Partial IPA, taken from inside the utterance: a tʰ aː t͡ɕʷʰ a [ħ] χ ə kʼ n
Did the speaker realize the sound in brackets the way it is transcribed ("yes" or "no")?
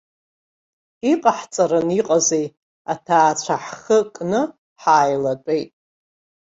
yes